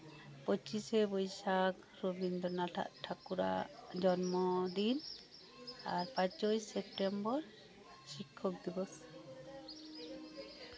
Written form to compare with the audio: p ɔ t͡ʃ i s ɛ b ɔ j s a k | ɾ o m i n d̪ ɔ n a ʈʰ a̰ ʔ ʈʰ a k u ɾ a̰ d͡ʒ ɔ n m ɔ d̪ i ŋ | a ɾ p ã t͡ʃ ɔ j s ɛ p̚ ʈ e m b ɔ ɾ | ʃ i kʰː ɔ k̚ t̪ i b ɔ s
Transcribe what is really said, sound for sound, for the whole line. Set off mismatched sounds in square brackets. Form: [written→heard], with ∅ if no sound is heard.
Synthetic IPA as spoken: p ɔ t͡ʃ i s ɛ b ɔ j s a k | ɾ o [m→b] i n d̪ ɔ n a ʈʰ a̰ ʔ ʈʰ a k u ɾ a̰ d͡ʒ ɔ n m ɔ d̪ i [ŋ→n] | a ɾ p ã t͡ʃ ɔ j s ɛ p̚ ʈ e m b ɔ ɾ | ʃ i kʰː ɔ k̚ [t̪→d̪] i b ɔ s